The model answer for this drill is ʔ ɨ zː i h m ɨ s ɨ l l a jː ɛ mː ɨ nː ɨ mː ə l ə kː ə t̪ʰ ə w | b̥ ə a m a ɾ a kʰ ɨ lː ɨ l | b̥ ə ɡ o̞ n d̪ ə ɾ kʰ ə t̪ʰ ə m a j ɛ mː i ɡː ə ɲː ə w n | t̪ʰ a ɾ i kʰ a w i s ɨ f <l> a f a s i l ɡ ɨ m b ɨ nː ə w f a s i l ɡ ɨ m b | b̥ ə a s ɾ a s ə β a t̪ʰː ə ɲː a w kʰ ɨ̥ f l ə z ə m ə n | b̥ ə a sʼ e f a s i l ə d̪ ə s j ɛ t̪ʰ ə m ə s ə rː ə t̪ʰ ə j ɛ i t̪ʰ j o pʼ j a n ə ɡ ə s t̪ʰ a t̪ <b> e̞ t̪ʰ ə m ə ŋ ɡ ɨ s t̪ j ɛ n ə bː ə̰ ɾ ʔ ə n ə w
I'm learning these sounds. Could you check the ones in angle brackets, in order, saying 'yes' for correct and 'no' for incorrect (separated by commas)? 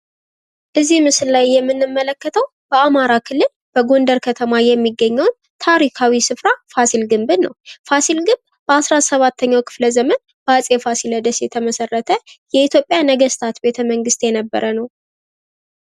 no, yes